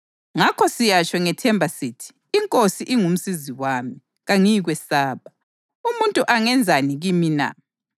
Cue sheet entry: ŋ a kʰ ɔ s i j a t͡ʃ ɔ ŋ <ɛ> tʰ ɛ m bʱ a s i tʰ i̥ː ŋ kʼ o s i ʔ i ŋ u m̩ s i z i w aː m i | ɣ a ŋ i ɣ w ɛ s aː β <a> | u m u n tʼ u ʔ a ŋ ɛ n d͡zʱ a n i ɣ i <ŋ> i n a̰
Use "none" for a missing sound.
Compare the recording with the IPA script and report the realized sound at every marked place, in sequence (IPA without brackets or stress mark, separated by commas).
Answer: ɛ, a, m